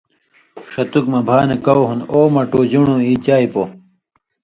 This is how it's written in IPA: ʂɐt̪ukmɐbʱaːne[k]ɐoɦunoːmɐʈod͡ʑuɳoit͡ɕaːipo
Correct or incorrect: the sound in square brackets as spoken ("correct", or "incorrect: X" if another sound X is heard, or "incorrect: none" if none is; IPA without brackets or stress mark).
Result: correct